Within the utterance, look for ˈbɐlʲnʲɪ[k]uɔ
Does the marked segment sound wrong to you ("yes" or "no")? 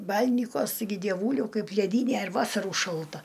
no